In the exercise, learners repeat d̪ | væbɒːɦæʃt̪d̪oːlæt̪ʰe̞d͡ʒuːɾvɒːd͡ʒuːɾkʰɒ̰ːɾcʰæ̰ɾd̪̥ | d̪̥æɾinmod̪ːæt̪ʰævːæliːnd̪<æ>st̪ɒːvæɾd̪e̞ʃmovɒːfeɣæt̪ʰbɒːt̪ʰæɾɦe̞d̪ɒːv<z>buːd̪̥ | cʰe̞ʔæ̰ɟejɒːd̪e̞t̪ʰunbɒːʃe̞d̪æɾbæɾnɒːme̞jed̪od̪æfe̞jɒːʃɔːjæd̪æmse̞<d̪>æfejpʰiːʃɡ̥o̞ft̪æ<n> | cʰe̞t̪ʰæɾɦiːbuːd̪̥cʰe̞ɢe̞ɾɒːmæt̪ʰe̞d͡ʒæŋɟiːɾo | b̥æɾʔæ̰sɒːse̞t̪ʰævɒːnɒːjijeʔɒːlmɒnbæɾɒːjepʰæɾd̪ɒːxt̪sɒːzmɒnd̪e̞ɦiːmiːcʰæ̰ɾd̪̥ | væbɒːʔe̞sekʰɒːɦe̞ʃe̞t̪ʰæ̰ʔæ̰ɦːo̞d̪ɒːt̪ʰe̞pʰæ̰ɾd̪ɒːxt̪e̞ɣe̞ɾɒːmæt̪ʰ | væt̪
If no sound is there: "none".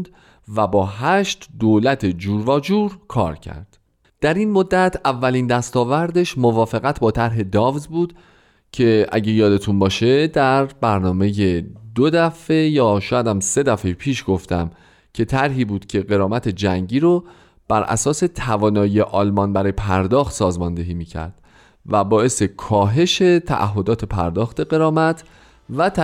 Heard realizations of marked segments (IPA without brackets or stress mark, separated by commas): æ, z, d̪, m